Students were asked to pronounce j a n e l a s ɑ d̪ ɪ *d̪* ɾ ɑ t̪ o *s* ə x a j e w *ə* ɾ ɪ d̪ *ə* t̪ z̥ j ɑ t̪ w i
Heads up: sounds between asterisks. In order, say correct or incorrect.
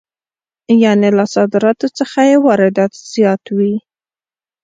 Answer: incorrect, incorrect, incorrect, incorrect

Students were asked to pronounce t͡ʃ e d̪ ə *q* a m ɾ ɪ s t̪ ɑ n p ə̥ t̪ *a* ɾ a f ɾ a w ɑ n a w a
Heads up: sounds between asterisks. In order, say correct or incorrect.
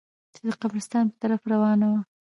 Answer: correct, correct

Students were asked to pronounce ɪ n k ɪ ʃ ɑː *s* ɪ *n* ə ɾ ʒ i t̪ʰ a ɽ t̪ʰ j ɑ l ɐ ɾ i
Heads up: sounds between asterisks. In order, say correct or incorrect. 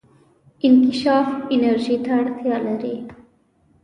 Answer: incorrect, correct

